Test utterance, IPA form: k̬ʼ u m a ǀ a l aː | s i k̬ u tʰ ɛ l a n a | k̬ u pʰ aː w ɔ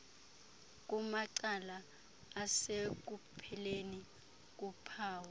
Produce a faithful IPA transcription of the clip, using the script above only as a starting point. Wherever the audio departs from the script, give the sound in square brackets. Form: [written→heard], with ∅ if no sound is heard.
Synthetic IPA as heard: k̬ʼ u m a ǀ a l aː | s [i→e] k̬ u [tʰ→pʰ] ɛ l [a→e] n [a→i] | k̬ u pʰ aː w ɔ